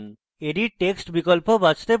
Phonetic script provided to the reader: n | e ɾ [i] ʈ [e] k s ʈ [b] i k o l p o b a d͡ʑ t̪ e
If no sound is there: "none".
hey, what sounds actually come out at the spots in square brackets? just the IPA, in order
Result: i, e, b

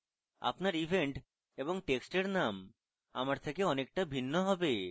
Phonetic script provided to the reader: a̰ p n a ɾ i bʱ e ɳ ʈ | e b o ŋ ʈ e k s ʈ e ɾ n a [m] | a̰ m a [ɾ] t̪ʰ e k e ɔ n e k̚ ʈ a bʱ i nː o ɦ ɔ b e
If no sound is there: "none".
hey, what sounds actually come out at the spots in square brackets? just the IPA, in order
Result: m, ɾ

